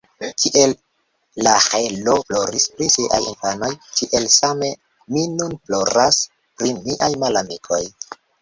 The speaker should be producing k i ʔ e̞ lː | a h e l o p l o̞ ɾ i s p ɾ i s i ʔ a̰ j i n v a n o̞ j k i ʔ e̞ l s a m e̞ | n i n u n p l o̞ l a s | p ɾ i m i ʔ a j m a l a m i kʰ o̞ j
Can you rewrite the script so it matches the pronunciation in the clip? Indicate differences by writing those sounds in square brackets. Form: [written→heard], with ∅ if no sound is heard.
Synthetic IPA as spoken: k i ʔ e̞ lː | a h e l o p l o̞ ɾ i s p ɾ i s i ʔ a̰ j i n [v→f] a n o̞ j k i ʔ e̞ l s a m e̞ | [n→m] i n u n p l o̞ [l→ɾ] a s | p ɾ i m i ʔ a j m a l a m i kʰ o̞ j